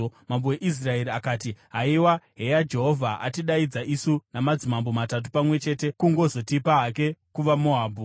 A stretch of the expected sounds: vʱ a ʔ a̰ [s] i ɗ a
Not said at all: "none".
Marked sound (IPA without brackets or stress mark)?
t